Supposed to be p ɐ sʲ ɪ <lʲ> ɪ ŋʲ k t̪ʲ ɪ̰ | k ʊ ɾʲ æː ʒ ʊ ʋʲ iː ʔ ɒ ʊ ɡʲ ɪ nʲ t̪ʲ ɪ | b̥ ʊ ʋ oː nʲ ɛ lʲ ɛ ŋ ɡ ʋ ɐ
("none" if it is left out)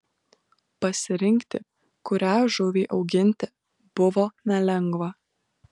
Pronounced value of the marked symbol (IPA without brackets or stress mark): ɾʲ